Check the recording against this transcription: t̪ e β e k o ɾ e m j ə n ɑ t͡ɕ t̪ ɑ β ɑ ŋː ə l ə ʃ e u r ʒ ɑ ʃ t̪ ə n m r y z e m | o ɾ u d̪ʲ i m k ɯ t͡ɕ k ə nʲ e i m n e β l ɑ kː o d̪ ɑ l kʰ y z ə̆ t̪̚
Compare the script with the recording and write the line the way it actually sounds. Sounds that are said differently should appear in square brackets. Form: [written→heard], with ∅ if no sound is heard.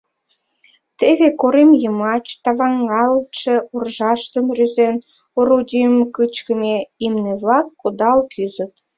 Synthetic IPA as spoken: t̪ e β e k o ɾ e m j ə [n→m] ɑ t͡ɕ t̪ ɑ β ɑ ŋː [ə→ɑ] l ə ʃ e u r ʒ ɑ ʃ t̪ ə [n→∅] m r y z e [m→n] | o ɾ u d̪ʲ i m k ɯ t͡ɕ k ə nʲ e i m n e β l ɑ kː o d̪ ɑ l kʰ y z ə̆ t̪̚